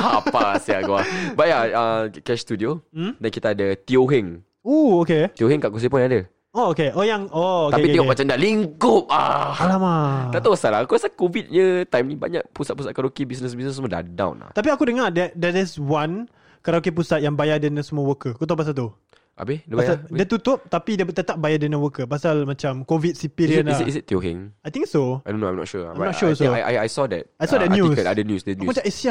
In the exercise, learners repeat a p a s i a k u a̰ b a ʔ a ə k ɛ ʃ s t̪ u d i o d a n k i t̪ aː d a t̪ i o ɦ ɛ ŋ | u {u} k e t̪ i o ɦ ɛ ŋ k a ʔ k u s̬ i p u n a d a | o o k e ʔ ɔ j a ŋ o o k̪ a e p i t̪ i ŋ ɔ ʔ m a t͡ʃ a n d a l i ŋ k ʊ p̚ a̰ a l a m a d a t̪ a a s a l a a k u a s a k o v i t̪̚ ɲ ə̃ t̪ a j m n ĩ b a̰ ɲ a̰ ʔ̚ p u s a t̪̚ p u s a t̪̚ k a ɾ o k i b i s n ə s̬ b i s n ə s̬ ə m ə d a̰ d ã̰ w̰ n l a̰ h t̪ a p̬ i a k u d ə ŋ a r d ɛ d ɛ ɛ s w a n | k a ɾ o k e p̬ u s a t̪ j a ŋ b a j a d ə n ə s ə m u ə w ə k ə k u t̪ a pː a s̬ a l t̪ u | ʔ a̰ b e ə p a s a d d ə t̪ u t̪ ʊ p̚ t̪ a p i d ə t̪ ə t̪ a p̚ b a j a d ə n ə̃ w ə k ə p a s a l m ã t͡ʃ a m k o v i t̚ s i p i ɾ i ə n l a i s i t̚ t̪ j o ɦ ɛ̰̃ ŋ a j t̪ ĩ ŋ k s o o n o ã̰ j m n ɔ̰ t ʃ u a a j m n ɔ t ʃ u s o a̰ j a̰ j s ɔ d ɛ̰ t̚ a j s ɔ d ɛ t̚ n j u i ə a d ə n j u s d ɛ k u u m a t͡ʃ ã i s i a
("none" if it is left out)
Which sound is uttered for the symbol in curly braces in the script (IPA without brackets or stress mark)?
o